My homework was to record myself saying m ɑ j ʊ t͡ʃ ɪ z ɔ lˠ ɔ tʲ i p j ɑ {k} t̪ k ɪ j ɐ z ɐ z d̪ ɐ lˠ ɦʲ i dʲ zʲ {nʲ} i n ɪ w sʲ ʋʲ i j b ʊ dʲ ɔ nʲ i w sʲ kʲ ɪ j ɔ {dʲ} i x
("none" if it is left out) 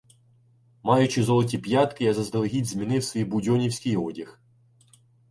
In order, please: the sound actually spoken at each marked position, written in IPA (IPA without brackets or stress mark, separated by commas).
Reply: none, mʲ, dʲ